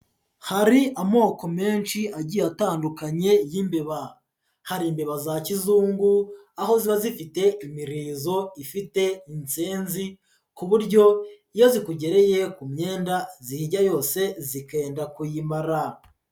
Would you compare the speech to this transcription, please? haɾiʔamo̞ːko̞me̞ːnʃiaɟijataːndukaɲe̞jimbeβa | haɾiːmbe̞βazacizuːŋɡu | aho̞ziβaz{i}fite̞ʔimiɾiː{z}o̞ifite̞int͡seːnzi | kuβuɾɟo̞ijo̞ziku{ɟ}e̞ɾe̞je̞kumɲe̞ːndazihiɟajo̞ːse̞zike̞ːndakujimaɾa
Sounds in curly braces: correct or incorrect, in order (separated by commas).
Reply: correct, correct, correct